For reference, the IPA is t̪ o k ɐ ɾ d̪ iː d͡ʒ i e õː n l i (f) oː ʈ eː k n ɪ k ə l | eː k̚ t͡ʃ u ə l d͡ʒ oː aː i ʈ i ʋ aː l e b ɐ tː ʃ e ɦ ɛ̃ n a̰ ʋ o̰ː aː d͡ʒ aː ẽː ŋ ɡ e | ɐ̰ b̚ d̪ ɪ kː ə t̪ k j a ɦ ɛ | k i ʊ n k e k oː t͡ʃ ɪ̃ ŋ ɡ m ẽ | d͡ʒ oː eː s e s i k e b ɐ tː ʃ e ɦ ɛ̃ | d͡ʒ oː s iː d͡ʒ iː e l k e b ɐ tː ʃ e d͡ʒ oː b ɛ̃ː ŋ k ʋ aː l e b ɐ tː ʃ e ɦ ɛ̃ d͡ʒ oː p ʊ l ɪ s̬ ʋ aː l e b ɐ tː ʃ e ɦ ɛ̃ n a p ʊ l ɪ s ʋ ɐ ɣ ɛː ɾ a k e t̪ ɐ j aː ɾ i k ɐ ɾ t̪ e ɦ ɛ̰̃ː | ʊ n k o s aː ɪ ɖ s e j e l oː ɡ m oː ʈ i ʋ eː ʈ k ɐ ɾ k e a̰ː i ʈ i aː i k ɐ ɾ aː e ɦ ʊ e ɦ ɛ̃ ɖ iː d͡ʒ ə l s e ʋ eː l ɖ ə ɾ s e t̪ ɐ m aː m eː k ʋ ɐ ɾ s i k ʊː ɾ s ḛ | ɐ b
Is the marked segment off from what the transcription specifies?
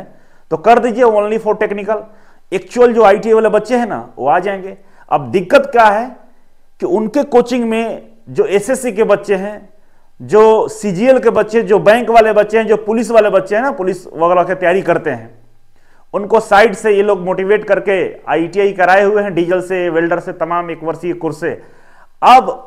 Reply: no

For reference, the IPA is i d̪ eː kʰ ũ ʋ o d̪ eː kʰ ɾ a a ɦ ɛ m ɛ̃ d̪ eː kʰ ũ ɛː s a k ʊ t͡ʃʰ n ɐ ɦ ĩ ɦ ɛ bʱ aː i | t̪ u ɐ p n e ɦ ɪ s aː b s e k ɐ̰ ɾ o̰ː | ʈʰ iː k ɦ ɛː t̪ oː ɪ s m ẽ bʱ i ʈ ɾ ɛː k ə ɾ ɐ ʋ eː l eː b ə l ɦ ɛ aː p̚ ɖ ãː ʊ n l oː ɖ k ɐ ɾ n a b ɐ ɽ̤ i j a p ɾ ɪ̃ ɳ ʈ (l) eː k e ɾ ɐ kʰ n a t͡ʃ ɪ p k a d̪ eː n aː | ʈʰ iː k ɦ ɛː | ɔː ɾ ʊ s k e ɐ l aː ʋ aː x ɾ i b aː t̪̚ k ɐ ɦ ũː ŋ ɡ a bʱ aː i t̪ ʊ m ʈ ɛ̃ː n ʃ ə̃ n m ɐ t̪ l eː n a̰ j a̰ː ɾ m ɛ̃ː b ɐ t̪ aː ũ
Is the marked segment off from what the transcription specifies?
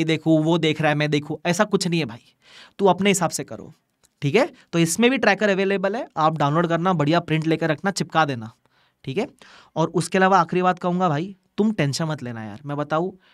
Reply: no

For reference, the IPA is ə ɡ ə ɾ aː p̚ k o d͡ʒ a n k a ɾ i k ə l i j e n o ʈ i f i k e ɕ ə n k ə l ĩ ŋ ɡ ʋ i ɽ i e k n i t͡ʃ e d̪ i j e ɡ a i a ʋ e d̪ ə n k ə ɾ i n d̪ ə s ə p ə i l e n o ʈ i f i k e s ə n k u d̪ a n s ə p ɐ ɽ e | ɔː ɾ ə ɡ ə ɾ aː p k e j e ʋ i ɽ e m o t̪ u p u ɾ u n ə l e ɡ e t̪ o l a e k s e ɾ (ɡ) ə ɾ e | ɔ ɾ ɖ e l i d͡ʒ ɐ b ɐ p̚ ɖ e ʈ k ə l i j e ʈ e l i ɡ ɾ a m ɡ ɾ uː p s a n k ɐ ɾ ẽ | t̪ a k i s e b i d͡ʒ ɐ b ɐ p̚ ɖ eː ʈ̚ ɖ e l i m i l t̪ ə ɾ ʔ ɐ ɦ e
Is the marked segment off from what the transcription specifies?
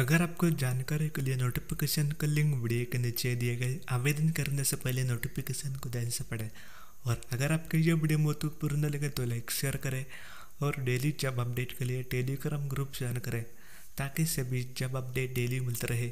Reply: yes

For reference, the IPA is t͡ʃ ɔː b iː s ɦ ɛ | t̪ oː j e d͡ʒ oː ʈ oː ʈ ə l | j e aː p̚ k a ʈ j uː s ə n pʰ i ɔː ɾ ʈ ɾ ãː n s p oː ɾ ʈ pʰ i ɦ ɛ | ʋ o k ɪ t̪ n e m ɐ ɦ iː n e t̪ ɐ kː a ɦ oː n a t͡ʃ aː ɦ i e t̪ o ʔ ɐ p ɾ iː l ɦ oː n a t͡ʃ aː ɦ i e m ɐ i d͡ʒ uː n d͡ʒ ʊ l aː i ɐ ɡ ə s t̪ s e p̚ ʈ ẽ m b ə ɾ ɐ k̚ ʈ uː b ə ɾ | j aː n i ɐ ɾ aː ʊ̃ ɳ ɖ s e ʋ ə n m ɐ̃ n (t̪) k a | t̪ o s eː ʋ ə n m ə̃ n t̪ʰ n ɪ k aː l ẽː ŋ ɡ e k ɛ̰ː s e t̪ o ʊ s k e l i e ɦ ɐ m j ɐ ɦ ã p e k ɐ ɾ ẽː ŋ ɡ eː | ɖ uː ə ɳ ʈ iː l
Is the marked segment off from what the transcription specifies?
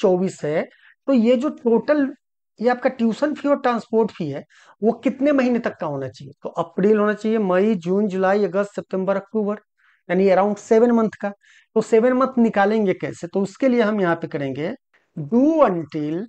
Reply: yes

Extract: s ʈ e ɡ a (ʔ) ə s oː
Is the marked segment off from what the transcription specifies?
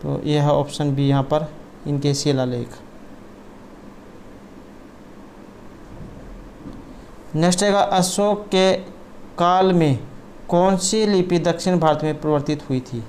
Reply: no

